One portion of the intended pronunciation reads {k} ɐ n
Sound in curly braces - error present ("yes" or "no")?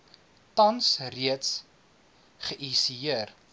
yes